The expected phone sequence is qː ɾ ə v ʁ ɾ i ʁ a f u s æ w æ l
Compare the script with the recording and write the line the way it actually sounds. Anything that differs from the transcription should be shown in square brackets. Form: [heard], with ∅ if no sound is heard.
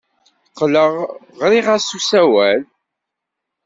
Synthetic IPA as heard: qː [l] ə [ʁ] ʁ ɾ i ʁ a [s] u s æ w æ l